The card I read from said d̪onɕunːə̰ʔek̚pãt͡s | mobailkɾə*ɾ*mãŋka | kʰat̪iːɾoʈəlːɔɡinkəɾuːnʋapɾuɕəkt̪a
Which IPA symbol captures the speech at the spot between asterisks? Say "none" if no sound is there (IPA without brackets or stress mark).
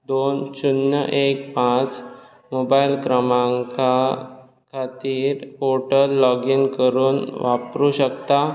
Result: none